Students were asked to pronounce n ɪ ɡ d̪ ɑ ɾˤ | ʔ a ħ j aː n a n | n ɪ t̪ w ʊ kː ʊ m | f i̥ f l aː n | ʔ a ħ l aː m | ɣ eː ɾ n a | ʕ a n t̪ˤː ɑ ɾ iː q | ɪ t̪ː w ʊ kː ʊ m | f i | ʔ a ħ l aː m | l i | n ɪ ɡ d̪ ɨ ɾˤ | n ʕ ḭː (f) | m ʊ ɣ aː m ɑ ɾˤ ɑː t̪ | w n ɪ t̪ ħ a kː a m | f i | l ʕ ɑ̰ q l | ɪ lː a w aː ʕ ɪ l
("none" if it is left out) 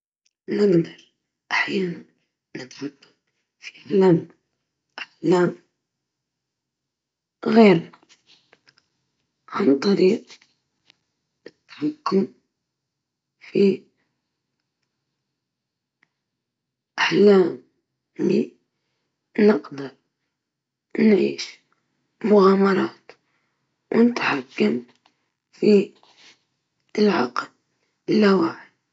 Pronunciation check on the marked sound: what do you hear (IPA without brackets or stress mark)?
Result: ʃ